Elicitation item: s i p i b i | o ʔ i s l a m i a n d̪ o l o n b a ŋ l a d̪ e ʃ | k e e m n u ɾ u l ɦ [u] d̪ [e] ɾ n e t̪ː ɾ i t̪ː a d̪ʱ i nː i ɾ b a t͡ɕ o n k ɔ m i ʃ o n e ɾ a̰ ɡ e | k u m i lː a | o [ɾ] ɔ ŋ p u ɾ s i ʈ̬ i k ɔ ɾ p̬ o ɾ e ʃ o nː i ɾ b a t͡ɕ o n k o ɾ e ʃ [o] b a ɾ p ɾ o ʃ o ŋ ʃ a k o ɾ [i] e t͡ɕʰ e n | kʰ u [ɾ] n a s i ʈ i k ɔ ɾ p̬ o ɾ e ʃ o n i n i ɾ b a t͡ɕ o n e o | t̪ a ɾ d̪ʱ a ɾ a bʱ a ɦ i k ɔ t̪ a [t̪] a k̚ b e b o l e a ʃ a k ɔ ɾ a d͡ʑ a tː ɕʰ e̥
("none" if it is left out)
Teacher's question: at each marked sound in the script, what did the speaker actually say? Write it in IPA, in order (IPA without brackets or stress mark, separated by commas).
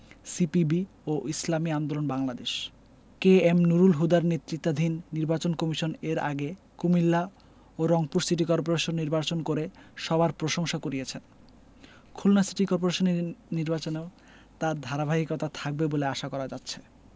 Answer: u, a, ɾ, ɔ, i, l, t̪ʰ